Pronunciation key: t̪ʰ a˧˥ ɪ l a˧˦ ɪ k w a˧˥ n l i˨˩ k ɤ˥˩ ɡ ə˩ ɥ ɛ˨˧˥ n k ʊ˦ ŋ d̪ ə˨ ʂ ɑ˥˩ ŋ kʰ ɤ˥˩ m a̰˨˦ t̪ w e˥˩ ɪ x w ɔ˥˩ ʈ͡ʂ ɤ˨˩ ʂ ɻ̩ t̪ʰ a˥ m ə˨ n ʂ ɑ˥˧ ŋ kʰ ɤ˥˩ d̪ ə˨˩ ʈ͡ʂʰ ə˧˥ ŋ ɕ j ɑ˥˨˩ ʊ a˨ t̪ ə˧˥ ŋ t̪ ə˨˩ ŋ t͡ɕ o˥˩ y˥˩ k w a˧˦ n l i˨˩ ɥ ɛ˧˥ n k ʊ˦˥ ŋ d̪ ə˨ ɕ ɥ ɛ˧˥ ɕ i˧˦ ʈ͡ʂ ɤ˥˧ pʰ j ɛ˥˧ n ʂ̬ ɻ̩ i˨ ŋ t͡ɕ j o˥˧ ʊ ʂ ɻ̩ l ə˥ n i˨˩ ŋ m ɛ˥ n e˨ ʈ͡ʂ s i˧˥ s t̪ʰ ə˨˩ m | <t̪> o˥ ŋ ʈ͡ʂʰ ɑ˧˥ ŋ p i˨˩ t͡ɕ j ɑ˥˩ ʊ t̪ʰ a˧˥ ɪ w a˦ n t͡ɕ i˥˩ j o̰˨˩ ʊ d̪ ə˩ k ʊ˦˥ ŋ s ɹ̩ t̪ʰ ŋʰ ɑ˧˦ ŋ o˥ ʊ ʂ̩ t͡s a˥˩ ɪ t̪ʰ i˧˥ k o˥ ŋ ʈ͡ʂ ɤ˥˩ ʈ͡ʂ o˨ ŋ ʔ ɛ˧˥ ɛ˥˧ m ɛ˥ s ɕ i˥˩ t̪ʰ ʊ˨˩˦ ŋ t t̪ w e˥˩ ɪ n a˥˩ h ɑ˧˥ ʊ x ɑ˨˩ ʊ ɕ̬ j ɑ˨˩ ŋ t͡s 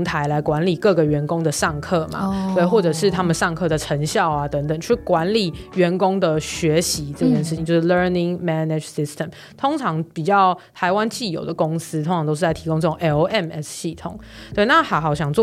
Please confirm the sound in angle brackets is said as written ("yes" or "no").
no